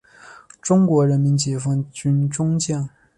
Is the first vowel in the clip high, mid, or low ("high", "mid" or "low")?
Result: high